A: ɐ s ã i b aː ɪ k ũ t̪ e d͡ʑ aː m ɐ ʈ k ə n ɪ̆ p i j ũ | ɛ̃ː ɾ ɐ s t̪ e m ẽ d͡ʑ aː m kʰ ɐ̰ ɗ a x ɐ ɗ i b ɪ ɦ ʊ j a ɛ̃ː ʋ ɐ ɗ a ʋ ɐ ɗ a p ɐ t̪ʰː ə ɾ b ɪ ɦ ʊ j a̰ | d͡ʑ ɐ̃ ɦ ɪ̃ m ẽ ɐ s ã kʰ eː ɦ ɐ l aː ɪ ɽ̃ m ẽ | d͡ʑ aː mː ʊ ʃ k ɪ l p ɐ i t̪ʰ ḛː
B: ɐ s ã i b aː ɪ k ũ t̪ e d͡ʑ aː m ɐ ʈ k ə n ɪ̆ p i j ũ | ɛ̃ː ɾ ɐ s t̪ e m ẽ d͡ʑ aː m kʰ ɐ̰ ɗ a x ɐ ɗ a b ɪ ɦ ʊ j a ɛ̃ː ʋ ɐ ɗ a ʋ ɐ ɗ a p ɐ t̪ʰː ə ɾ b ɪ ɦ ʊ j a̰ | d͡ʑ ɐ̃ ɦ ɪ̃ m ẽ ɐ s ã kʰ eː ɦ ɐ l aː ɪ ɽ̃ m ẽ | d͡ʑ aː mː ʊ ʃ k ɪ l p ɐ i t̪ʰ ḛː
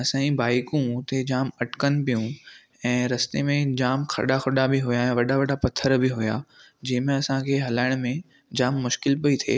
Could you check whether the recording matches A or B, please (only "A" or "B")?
B